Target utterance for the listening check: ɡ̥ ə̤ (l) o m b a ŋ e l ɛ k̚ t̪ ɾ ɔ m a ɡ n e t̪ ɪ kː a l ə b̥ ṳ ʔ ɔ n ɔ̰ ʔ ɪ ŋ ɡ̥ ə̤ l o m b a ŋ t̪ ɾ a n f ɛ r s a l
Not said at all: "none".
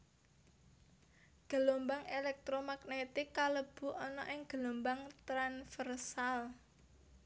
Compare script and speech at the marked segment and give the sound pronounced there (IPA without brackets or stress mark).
l